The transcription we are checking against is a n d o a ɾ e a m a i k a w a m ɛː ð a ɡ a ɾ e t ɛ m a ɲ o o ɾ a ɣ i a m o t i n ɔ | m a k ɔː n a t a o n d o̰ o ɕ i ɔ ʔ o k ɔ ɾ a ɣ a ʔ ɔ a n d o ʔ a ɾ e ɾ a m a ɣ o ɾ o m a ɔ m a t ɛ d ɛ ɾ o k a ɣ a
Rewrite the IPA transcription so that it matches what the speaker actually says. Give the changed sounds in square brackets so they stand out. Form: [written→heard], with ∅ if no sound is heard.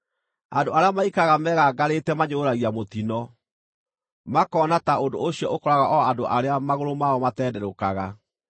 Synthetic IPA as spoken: a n d o a ɾ e a m a i k a [w→ɣ] a m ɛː [ð→ɣ] a ɡ a ɾ e t ɛ m a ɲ o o ɾ a ɣ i a m o t i n ɔ | m a k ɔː n a t a o n d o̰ o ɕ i ɔ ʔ o k ɔ ɾ a ɣ a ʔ ɔ a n d o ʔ a ɾ e [ɾ→∅] a m a ɣ o ɾ o m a ɔ m a t ɛ d ɛ ɾ o k a ɣ a

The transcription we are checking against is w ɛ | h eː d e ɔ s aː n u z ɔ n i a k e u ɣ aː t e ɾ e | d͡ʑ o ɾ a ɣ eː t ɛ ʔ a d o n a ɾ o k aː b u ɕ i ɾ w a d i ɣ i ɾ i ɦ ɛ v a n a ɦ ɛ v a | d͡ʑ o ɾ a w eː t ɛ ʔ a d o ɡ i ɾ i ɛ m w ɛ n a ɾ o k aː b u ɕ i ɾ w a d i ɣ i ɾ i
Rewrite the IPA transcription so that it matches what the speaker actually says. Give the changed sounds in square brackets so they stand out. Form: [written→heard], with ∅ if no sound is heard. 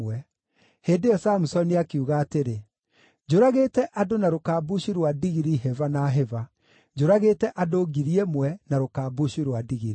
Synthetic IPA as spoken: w ɛ | h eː d e ɔ s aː [n→m] u [z→s] ɔ n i a k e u ɣ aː t e ɾ e | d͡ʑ o ɾ a ɣ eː t ɛ ʔ a d o n a ɾ o k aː b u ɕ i ɾ w a d i ɣ i ɾ i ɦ ɛ v a n a ɦ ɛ v a | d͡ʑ o ɾ a [w→ɣ] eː t ɛ ʔ a d o ɡ i ɾ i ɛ m w ɛ n a ɾ o k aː b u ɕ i ɾ w a d i ɣ i ɾ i

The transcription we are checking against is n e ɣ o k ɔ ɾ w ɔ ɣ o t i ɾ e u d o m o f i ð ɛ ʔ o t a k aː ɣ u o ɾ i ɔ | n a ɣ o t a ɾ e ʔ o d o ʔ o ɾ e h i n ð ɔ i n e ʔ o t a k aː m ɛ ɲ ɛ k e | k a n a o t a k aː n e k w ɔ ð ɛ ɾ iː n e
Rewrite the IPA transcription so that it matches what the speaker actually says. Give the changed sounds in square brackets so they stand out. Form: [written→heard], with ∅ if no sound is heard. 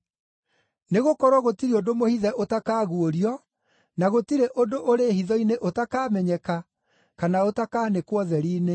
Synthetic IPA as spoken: n e ɣ o k ɔ ɾ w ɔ ɣ o t i ɾ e [u→o] d o m o [f→h] i ð ɛ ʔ o t a k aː ɣ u o ɾ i ɔ | n a ɣ o t [a→i] ɾ e ʔ o d o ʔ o ɾ e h i [n→∅] ð ɔ i n e ʔ o t a k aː m ɛ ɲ ɛ k [e→a] | k a n a o t a k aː n e k w ɔ ð ɛ ɾ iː n e

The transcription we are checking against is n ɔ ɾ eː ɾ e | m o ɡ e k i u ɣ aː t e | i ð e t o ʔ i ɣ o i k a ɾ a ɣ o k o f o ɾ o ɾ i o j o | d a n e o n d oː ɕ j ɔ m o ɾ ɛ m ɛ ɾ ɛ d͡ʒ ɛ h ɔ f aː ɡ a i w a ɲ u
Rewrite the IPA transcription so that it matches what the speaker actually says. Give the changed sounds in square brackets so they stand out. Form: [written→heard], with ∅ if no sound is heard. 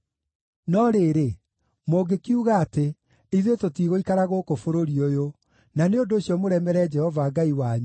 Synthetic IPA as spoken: n ɔ ɾ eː ɾ e | m o ɡ e k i u ɣ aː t e | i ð e t o [ʔ→t] i ɣ o i k a ɾ a ɣ o k o f o ɾ o ɾ i o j o | [d→n] a n e o n d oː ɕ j ɔ m o ɾ ɛ m ɛ ɾ ɛ d͡ʒ ɛ h ɔ [f→v] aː ɡ a i w a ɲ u

